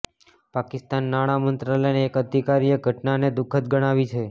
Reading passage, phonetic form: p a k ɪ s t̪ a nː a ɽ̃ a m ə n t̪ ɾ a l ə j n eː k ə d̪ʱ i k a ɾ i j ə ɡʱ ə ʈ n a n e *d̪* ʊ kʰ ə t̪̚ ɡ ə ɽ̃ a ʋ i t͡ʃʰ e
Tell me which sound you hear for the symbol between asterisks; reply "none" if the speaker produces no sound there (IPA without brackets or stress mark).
d̪